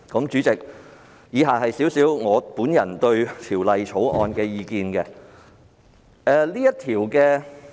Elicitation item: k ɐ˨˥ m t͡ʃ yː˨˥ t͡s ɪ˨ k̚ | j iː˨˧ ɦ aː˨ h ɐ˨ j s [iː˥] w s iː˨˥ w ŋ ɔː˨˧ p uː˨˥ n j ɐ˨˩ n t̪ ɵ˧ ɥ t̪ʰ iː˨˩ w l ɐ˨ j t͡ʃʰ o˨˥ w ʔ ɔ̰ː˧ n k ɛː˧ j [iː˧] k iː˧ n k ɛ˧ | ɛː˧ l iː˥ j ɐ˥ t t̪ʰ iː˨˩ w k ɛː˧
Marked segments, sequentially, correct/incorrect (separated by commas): incorrect, correct